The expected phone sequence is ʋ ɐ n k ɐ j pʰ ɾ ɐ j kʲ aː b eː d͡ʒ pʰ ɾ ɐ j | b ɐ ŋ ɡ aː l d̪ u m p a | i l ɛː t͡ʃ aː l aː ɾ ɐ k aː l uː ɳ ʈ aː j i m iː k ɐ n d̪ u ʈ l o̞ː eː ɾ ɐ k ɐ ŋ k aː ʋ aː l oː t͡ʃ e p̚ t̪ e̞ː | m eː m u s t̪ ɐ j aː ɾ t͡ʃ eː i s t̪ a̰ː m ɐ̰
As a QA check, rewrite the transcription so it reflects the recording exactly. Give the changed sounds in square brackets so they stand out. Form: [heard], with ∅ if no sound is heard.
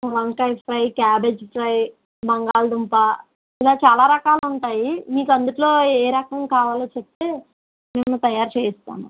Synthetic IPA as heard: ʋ ɐ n k ɐ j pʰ ɾ ɐ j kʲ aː b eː d͡ʒ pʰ ɾ ɐ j | b ɐ ŋ ɡ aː l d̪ u m p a | i l [aː] t͡ʃ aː l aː ɾ ɐ k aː l [u] ɳ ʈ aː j i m iː k ɐ n d̪ u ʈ l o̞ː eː ɾ ɐ k ɐ ŋ k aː ʋ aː l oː t͡ʃ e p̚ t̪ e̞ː | m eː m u [∅] t̪ ɐ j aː ɾ t͡ʃ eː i s t̪ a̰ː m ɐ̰